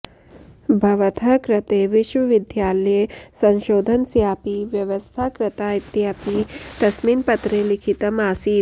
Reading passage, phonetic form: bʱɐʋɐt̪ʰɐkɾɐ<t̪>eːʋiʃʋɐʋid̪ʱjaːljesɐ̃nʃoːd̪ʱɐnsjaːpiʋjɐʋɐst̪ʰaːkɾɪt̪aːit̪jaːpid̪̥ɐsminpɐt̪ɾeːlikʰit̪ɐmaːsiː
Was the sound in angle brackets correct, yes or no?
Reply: yes